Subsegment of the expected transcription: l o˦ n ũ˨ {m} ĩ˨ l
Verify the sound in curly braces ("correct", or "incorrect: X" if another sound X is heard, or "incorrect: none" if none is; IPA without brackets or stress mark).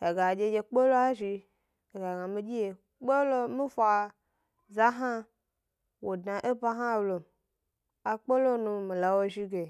correct